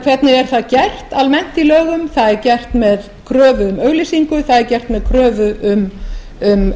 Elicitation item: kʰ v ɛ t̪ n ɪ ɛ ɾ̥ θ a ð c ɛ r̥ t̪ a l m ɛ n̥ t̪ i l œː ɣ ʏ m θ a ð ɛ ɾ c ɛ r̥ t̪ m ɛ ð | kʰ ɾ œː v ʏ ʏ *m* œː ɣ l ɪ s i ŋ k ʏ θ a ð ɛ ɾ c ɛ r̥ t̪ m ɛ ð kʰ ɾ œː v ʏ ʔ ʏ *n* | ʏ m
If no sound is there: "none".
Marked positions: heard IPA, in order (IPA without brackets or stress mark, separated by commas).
m, m